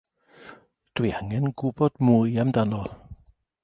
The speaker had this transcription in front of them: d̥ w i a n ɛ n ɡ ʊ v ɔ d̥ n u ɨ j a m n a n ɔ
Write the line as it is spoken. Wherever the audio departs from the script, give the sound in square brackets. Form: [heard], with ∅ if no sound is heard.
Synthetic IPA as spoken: d̥ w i a [ŋ] ɛ n ɡ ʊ [b] ɔ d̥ [m] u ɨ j a m [d] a n ɔ